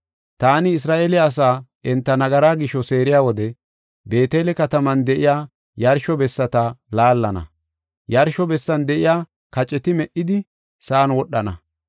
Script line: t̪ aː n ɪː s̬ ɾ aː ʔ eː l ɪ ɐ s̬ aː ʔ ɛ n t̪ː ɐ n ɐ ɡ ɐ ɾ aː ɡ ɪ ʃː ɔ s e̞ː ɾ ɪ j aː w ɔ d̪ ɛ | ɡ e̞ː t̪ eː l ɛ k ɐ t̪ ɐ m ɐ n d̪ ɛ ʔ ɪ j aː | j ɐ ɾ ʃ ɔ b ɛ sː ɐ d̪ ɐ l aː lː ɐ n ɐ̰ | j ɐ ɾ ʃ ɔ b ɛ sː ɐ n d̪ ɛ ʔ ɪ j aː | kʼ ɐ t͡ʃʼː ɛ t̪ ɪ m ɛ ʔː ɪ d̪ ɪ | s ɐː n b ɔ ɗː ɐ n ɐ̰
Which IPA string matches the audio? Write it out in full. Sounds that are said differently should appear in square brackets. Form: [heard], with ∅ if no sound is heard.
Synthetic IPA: t̪ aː n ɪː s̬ ɾ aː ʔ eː l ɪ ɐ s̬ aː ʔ ɛ n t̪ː ɐ n ɐ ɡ ɐ ɾ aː ɡ ɪ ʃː ɔ s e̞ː ɾ ɪ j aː w ɔ d̪ ɛ | [b] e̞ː t̪ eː l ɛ k ɐ t̪ ɐ m ɐ n d̪ ɛ ʔ ɪ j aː | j ɐ ɾ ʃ ɔ b ɛ sː ɐ [t̪] ɐ l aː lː ɐ n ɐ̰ | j ɐ ɾ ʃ ɔ b ɛ sː ɐ n d̪ ɛ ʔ ɪ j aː | [k] ɐ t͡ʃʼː ɛ t̪ ɪ m ɛ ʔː ɪ d̪ ɪ | s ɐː n [w] ɔ ɗː ɐ n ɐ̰

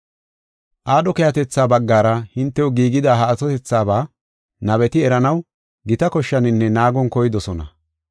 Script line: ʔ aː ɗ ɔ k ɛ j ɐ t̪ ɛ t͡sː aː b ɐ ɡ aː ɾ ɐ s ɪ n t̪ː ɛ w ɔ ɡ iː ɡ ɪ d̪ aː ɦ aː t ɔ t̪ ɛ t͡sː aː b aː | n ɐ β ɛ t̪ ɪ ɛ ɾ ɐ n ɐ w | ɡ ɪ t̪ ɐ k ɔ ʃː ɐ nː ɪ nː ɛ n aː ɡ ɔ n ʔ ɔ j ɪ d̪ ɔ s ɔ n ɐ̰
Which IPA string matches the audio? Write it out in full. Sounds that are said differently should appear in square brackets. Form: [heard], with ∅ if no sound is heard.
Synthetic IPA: ʔ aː ɗ ɔ k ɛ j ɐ t̪ ɛ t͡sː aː b ɐ [ɡː] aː ɾ ɐ [h] ɪ n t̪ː ɛ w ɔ ɡ iː ɡ ɪ d̪ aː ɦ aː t ɔ t̪ ɛ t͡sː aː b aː | n ɐ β ɛ t̪ ɪ ɛ ɾ ɐ n ɐ w | ɡ ɪ t̪ ɐ k ɔ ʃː ɐ [n] ɪ nː ɛ n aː ɡ ɔ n [k] ɔ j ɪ d̪ ɔ s ɔ n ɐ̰

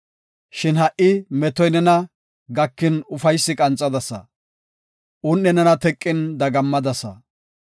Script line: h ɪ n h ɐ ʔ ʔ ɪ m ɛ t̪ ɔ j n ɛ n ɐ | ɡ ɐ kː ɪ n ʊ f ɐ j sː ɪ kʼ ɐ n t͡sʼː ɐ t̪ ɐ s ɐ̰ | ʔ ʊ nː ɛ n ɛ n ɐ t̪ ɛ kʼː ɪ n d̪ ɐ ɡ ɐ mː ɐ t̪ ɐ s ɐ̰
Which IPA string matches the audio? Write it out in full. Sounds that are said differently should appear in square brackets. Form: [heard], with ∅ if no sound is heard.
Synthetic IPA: [ʃ] ɪ n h ɐ ʔ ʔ ɪ m ɛ t̪ ɔ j n ɛ n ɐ | ɡ ɐ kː ɪ n ʊ f ɐ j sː ɪ kʼ ɐ n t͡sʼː ɐ [d̪] ɐ s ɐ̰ | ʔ ʊ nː ɛ n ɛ n ɐ t̪ ɛ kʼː ɪ n d̪ ɐ ɡ ɐ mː ɐ [d̪] ɐ s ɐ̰

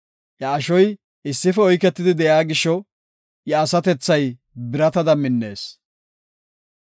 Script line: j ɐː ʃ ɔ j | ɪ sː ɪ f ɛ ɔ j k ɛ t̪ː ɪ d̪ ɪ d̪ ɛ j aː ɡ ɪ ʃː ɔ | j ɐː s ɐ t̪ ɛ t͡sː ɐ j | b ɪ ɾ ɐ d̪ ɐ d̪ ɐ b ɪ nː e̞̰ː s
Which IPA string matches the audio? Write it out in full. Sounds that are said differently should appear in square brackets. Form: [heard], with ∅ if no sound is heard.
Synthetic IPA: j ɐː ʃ ɔ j | ɪ sː ɪ f ɛ ɔ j k ɛ t̪ː ɪ d̪ ɪ d̪ ɛ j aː ɡ ɪ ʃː ɔ | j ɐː s ɐ t̪ ɛ t͡sː ɐ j | b ɪ ɾ ɐ [t̪] ɐ d̪ ɐ [m] ɪ nː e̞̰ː s

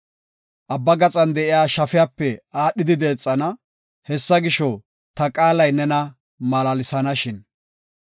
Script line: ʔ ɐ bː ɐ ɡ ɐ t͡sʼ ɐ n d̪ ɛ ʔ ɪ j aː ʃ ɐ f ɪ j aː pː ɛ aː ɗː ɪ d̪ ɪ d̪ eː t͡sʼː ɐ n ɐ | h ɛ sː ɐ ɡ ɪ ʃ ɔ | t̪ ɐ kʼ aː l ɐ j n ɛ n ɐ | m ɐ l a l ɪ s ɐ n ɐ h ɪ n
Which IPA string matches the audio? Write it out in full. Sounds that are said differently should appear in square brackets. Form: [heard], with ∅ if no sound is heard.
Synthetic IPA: ʔ ɐ bː ɐ ɡ ɐ t͡sʼ ɐ n d̪ ɛ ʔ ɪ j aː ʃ ɐ f ɪ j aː pː ɛ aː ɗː ɪ d̪ ɪ d̪ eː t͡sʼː ɐ n ɐ | h ɛ sː ɐ ɡ ɪ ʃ ɔ | t̪ ɐ kʼ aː l ɐ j n ɛ n ɐ | m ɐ l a l ɪ s ɐ n ɐ [ʃ] ɪ n

